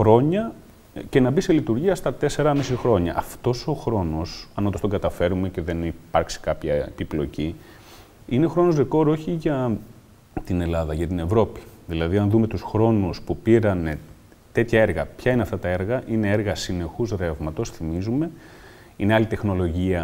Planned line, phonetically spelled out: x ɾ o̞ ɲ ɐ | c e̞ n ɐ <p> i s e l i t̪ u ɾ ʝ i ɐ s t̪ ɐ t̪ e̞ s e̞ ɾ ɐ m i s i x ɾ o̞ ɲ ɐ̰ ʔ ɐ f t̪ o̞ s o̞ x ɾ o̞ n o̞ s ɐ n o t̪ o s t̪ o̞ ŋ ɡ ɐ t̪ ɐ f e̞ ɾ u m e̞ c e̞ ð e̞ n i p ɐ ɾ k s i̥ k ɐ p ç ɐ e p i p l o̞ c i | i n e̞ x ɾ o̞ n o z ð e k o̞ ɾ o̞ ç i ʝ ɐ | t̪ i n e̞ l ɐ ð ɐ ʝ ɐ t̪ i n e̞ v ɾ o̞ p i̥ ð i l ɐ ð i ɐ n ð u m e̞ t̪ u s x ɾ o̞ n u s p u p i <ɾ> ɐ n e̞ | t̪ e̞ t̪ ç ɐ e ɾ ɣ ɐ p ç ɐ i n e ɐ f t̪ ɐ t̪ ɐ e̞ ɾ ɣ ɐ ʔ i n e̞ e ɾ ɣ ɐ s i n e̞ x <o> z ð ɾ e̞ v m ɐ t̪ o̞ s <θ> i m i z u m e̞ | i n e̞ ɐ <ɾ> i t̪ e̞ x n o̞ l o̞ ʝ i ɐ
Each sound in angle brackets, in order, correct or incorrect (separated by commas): incorrect, correct, incorrect, correct, incorrect